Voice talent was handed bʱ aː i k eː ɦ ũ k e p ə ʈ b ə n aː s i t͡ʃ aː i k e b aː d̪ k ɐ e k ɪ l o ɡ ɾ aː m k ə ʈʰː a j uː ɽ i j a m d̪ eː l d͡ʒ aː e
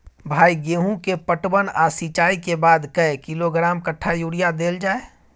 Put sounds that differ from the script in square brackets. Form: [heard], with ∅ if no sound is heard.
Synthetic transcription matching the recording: bʱ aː i [ɡ] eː ɦ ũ k e p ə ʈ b ə n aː s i t͡ʃ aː i k e b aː d̪ k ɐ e k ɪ l o ɡ ɾ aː m k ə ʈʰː a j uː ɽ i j a [∅] d̪ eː l d͡ʒ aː e